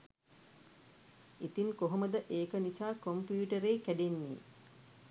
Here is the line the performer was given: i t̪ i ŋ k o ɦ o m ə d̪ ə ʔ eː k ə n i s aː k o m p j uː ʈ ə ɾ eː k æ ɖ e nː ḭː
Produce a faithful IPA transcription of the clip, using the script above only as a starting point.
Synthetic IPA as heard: i t̪ i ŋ k o ɦ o m ə d̪ ə ʔ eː k ə n i s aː k o m p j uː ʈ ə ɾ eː k æ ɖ e nː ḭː